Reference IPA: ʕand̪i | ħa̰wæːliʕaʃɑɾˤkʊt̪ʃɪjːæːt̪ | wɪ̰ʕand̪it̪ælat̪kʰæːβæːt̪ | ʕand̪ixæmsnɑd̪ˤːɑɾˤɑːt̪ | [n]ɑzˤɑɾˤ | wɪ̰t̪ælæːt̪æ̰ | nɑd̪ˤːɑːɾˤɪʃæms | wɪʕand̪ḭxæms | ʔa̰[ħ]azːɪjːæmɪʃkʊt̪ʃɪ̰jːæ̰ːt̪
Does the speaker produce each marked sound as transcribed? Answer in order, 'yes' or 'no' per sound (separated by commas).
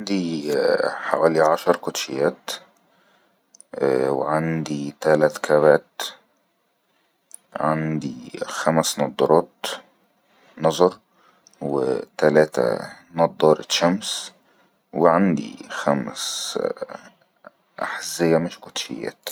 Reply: yes, yes